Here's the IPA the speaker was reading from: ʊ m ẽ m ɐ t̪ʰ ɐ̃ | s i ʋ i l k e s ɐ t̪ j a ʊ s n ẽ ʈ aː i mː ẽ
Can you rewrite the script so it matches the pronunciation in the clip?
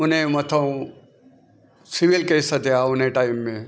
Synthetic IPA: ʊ n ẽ m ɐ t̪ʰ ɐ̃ | s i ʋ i l k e s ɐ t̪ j a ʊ n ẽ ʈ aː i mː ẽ